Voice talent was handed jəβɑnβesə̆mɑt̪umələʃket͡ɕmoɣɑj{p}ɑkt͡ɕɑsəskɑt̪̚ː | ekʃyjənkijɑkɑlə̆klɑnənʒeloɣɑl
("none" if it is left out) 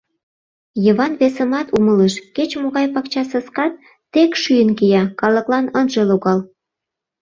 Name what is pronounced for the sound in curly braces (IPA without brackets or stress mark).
p